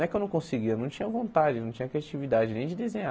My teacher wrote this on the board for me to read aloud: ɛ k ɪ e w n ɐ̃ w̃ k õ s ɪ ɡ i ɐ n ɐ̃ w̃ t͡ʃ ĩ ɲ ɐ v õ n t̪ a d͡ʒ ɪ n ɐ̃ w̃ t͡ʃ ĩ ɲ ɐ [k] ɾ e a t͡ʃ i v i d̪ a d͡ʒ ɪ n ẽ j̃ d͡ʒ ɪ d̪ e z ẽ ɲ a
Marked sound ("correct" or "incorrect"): correct